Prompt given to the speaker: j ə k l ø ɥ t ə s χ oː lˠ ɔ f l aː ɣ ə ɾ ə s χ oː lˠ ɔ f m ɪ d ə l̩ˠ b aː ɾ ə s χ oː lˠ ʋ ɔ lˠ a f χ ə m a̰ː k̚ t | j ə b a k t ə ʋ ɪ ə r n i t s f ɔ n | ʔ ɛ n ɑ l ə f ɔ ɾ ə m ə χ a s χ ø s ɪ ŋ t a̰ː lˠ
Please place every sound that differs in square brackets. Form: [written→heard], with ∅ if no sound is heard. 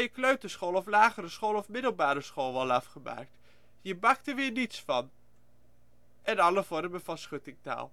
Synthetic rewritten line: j ə k l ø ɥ t ə s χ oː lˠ ɔ f l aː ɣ ə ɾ ə s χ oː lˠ ɔ f m ɪ d ə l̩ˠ b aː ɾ ə s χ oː lˠ ʋ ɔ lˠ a f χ ə m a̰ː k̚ t | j ə b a k t ə ʋ ɪ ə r n i t s f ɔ n | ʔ ɛ n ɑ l ə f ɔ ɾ ə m ə [χ→f] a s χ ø [s→t] ɪ ŋ t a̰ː lˠ